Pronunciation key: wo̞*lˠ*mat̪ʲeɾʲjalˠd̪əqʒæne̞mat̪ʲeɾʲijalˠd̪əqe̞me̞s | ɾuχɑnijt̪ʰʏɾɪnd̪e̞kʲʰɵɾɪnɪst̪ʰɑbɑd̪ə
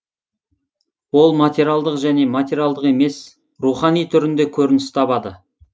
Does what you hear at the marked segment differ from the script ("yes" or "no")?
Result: no